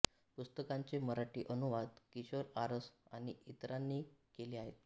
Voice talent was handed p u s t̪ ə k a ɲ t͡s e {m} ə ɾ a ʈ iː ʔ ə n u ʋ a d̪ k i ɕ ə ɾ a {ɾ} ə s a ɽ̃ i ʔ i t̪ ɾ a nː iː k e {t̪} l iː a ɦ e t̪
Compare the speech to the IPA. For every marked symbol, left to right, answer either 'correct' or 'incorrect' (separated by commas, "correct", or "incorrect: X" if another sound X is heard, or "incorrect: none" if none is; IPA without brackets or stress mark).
correct, correct, incorrect: none